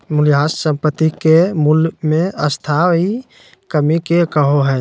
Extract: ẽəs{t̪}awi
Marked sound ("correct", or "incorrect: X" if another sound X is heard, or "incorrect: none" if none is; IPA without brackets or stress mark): incorrect: t̪ʰ